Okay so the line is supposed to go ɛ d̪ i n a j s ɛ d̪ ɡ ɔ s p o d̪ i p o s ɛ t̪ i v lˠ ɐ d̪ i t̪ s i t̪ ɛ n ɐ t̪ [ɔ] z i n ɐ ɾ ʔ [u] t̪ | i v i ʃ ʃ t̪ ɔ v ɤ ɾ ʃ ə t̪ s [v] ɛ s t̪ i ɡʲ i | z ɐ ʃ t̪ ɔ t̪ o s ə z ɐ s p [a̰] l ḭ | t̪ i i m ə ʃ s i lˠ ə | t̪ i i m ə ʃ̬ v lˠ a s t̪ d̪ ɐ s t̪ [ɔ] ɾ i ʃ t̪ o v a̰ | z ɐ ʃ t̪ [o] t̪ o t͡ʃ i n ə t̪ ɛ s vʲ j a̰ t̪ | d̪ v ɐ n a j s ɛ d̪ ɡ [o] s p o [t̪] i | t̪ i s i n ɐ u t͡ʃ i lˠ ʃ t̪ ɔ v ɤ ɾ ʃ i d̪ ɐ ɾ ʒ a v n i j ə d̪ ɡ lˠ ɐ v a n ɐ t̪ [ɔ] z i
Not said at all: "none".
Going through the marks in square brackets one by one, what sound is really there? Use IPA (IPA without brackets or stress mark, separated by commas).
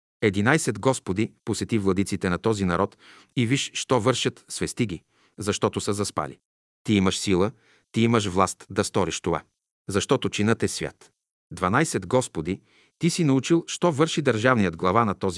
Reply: ɔ, ɔ, v, a̰, ɔ, ɔ, ɔ, d̪, ɔ